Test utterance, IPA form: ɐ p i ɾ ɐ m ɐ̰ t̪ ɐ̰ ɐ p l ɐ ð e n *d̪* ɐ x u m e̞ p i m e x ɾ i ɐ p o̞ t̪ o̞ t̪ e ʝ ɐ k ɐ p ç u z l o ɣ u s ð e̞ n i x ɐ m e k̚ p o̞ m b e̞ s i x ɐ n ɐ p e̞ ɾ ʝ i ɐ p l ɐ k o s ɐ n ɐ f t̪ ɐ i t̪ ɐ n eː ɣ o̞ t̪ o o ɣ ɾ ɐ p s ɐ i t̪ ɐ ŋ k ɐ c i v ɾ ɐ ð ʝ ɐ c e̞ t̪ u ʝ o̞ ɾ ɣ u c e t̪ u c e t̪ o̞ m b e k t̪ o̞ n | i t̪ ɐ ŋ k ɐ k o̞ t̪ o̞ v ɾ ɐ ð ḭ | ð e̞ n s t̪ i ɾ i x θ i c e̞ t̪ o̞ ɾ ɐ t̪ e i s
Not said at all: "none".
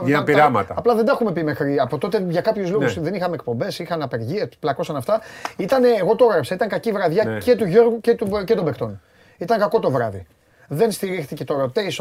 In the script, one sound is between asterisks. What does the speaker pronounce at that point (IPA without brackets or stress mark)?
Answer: d̪